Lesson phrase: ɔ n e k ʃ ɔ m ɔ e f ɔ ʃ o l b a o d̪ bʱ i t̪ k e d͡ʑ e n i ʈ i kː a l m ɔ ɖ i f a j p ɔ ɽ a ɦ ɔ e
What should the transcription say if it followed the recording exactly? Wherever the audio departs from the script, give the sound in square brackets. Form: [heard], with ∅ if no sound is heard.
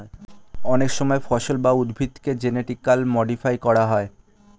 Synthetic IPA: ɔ n e k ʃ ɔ m ɔ e f ɔ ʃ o l b a [u] d̪ bʱ i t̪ k e d͡ʑ e n [e] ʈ i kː a l m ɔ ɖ i f a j [k] ɔ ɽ a ɦ ɔ e